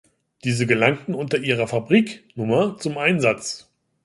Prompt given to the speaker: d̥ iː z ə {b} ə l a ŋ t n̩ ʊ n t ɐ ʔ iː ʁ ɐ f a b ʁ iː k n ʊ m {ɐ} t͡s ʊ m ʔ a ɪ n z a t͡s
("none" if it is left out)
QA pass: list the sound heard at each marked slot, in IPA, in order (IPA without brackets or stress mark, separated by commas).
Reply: ɡ, ɐ